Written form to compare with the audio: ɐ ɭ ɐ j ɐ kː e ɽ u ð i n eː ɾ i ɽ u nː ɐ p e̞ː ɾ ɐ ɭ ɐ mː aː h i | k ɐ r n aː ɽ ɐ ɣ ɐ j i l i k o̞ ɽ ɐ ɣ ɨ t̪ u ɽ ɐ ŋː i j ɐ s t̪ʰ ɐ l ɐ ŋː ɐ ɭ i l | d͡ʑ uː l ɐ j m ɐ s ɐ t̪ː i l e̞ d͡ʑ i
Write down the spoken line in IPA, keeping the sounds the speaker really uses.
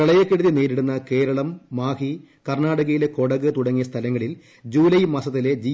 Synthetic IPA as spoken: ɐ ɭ ɐ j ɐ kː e ɽ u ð i n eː ɾ i ɽ u nː ɐ k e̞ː ɾ ɐ ɭ ɐ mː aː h i | k ɐ r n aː ɽ ɐ ɣ ɐ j i l e k o̞ ɽ ɐ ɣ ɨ t̪ u ɽ ɐ ŋː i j ɐ s t̪ʰ ɐ l ɐ ŋː ɐ ɭ i l | d͡ʑ uː l ɐ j m ɐ s ɐ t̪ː i l e̞ d͡ʑ i